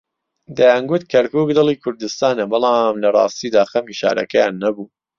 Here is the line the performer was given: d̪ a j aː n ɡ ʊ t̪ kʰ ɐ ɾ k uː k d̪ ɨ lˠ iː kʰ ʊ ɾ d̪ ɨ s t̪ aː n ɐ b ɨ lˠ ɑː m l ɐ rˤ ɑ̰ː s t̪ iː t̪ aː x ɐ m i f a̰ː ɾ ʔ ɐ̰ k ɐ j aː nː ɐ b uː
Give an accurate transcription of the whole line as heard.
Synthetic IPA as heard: d̪ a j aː n ɡ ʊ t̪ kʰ ɐ ɾ k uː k d̪ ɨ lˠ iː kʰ ʊ ɾ d̪ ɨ s t̪ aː n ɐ b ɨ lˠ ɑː m l ɐ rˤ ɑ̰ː s t̪ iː d̪ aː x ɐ m i ʃ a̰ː ɾ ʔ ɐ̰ k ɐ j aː nː ɐ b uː